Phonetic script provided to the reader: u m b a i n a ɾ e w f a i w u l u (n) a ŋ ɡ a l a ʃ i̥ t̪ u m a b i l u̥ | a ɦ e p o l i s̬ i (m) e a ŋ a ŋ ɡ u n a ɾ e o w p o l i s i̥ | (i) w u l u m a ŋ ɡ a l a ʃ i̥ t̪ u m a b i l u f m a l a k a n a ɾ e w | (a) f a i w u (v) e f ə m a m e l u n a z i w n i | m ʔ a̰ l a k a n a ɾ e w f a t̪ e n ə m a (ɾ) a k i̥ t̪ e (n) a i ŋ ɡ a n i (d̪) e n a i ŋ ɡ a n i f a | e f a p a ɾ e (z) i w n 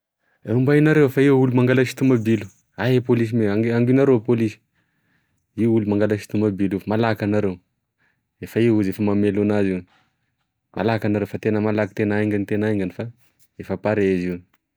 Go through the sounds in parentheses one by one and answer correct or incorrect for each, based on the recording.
incorrect, correct, correct, incorrect, incorrect, incorrect, correct, incorrect, correct

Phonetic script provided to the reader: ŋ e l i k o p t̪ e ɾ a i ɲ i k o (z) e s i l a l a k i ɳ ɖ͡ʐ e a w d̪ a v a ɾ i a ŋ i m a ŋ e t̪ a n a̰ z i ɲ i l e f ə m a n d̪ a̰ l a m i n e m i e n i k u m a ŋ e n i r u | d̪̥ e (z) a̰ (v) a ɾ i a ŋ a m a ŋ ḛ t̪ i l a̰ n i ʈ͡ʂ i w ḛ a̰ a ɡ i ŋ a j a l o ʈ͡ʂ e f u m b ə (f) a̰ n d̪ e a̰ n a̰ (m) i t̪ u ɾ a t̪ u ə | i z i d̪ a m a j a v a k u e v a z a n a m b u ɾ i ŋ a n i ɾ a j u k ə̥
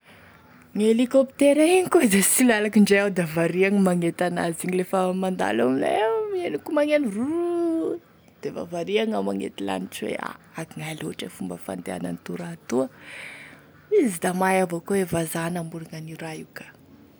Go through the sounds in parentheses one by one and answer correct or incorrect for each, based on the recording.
correct, incorrect, correct, correct, incorrect

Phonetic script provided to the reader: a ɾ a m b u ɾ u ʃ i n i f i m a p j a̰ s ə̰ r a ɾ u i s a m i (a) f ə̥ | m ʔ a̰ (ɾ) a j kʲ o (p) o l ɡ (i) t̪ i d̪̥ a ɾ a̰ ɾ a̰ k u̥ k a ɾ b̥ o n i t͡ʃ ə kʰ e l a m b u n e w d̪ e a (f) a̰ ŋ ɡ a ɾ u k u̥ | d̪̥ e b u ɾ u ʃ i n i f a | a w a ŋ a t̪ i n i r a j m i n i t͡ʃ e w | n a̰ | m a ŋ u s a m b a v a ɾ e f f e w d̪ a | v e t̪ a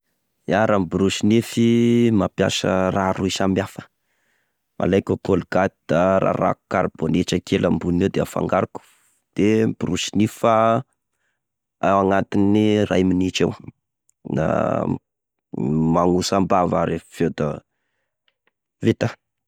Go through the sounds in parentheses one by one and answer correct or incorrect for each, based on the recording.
correct, incorrect, incorrect, incorrect, correct

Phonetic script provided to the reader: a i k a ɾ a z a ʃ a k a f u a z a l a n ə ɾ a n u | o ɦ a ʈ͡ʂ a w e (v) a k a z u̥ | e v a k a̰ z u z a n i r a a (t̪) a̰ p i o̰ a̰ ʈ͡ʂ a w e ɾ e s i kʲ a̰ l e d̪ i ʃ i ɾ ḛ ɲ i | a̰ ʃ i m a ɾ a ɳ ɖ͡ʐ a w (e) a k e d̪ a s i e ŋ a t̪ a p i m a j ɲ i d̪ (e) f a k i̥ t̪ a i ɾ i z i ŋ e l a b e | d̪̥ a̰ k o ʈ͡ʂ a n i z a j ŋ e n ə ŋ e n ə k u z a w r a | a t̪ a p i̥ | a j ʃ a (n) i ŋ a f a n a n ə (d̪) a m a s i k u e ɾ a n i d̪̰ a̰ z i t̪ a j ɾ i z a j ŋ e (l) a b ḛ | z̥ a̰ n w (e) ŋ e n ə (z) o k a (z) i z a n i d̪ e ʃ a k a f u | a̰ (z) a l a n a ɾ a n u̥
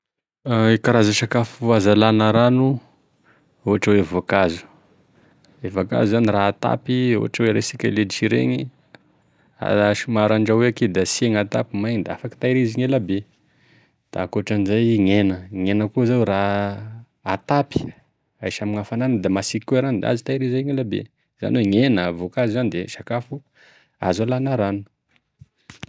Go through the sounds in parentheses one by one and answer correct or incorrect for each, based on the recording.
correct, correct, correct, incorrect, incorrect, correct, correct, correct, incorrect, correct, correct

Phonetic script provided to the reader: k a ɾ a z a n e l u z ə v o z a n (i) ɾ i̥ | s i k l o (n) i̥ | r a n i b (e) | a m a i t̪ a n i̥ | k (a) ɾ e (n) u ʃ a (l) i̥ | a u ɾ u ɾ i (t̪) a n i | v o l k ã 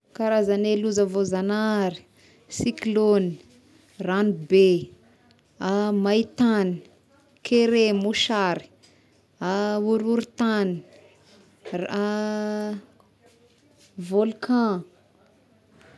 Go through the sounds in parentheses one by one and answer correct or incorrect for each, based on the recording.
incorrect, correct, correct, incorrect, incorrect, incorrect, correct

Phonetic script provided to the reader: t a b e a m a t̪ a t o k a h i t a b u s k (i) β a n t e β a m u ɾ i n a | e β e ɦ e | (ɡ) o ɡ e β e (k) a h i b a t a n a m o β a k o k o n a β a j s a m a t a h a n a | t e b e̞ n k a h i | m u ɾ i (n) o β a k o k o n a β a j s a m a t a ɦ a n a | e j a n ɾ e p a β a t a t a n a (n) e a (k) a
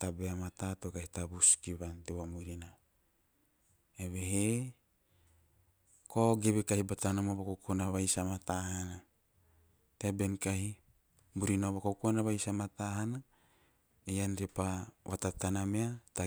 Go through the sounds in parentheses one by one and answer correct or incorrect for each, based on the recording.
correct, incorrect, correct, correct, incorrect, incorrect

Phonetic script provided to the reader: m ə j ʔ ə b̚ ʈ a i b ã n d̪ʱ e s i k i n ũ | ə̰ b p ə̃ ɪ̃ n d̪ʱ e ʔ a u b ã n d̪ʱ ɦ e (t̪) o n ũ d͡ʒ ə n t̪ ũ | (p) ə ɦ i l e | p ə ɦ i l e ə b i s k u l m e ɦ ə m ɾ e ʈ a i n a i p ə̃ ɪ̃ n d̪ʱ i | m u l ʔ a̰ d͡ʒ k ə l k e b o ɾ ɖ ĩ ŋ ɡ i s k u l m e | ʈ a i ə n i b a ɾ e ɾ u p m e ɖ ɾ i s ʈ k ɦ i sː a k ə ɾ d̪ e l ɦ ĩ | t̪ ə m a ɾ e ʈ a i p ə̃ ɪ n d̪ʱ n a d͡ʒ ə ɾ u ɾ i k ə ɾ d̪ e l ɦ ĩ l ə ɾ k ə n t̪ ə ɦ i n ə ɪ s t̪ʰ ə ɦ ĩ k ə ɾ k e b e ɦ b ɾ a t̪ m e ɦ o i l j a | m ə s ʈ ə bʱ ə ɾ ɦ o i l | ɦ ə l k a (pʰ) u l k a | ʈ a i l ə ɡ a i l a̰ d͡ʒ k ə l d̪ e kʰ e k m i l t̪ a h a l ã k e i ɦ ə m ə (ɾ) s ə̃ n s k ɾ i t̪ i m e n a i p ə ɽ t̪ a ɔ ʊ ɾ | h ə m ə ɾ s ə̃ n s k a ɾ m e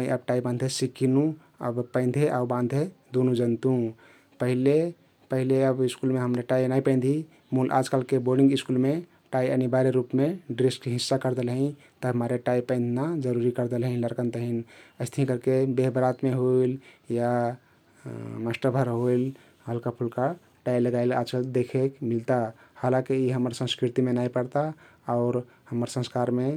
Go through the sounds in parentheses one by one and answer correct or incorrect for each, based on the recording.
incorrect, correct, correct, correct

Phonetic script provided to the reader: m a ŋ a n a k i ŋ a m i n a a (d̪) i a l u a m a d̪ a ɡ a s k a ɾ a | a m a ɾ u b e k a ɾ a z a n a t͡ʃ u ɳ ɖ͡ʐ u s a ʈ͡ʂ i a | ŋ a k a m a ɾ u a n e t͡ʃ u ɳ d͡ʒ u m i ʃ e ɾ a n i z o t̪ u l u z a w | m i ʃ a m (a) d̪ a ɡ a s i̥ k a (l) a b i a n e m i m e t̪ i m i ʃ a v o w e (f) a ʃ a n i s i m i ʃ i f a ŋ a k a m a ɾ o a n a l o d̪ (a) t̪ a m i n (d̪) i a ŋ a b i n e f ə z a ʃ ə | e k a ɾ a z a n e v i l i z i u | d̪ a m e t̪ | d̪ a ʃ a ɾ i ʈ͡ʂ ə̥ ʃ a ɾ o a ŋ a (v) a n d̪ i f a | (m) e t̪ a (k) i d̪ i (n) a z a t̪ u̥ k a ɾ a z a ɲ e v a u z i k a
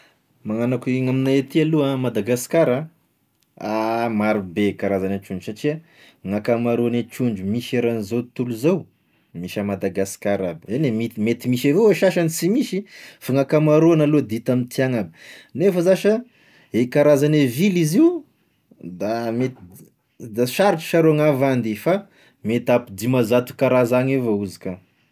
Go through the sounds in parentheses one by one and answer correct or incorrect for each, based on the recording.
incorrect, correct, incorrect, incorrect, incorrect, incorrect, correct, correct, incorrect, incorrect

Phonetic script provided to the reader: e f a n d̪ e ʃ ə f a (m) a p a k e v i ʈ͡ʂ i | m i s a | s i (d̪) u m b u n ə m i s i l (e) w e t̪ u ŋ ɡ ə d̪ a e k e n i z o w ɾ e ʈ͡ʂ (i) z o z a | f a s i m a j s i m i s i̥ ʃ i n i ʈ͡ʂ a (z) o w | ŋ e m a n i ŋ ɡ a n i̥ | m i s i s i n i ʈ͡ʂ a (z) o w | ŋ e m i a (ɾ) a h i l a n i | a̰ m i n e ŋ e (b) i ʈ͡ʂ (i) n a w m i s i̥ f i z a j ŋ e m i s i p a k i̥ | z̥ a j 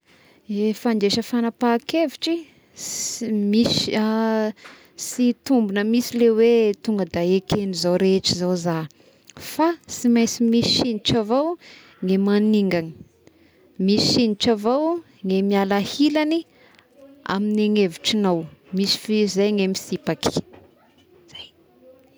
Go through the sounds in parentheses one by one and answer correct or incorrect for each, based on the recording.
incorrect, incorrect, correct, correct, incorrect, incorrect, incorrect, incorrect, correct

